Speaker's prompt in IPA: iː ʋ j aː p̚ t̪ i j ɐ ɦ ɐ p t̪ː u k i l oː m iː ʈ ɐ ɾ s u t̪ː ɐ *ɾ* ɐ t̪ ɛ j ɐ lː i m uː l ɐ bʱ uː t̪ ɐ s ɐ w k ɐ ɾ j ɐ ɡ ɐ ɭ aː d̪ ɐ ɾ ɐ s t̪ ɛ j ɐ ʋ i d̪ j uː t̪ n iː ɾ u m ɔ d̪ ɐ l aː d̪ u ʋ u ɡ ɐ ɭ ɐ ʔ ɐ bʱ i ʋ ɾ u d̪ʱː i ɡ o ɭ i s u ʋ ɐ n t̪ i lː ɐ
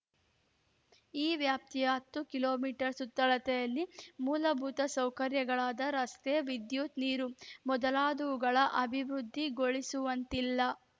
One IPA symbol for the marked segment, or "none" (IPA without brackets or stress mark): ɭ